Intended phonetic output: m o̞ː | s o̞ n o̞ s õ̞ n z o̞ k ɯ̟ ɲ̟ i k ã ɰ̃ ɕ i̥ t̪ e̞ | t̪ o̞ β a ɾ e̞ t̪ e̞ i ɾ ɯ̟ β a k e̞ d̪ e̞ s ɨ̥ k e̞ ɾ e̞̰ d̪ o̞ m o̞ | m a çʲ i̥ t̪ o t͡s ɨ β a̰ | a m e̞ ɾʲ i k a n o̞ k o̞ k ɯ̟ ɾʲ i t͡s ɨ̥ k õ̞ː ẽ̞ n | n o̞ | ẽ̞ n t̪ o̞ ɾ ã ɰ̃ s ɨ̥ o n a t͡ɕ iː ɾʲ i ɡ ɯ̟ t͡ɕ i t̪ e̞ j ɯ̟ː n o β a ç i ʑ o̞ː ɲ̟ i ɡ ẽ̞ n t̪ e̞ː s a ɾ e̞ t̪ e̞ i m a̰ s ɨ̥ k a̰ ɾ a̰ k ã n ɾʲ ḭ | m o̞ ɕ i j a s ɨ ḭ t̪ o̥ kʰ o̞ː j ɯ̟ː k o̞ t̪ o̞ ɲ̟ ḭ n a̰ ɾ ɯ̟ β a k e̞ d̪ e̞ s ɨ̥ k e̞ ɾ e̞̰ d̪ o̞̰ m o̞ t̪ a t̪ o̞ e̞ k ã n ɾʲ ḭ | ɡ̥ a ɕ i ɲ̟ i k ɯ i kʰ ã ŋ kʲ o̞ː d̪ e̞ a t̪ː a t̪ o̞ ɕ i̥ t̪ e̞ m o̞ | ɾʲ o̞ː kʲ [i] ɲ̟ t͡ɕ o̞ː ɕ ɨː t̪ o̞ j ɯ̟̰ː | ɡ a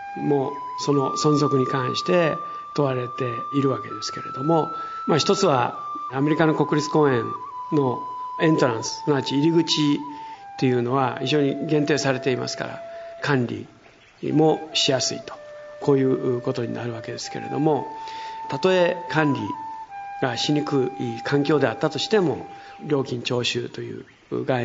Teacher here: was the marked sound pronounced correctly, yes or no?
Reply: no